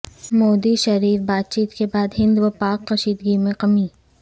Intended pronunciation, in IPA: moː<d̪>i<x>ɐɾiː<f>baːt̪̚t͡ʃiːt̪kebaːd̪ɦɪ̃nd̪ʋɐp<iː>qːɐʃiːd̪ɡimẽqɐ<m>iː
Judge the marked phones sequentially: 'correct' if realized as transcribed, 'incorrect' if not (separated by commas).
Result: correct, incorrect, correct, incorrect, correct